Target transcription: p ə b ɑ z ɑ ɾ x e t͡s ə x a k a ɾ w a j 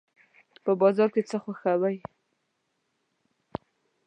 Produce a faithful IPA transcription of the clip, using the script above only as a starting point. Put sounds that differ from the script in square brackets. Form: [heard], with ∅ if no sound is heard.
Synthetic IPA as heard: p ə b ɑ z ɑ ɾ [k] e t͡s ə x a [x] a [∅] w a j